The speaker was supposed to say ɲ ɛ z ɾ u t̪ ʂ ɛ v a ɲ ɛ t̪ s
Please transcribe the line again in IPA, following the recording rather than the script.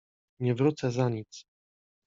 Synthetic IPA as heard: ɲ ɛ v ɾ u t̪ s ɛ z a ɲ i t̪ s